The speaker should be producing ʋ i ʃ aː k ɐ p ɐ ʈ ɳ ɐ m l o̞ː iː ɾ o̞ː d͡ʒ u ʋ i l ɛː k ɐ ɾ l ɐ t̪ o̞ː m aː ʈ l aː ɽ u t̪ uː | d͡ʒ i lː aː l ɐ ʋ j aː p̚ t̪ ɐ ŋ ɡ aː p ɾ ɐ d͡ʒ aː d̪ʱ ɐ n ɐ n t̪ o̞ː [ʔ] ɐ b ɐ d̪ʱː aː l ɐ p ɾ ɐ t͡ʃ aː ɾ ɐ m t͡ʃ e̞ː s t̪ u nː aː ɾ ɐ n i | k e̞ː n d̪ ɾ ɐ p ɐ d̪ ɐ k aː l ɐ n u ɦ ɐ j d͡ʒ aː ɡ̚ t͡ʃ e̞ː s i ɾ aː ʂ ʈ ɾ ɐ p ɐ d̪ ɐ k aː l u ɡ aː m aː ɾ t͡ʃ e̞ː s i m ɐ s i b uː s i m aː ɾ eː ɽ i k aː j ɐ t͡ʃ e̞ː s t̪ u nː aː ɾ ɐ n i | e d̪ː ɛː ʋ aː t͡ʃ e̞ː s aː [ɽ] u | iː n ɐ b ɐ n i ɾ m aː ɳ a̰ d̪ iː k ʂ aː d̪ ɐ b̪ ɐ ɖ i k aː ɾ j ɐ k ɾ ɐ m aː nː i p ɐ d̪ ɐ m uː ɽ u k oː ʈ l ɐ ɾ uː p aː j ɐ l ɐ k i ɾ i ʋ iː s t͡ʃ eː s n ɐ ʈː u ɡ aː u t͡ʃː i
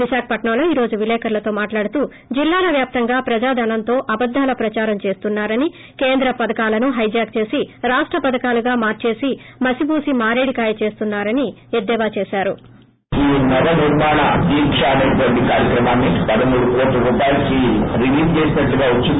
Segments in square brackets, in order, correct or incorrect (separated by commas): correct, incorrect